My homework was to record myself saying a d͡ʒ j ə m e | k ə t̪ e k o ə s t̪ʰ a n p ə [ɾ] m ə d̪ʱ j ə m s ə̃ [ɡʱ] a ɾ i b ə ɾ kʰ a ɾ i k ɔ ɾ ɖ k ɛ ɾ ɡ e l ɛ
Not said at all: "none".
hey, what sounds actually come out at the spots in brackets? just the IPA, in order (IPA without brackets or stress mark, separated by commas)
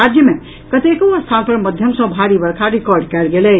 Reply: ɾ, bʱ